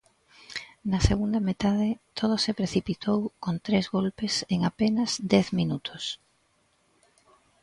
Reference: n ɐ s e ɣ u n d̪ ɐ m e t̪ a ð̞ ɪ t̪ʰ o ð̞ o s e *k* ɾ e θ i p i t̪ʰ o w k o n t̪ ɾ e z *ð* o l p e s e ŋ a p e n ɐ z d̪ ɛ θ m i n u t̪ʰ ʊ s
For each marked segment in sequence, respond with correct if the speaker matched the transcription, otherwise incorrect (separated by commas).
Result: incorrect, incorrect